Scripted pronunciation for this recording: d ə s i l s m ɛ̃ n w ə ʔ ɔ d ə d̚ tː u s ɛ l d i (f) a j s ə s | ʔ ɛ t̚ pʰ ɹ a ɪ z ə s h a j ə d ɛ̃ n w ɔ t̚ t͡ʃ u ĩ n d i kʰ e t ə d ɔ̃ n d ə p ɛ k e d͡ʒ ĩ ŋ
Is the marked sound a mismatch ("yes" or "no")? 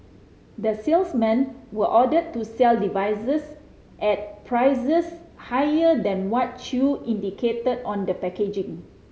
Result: yes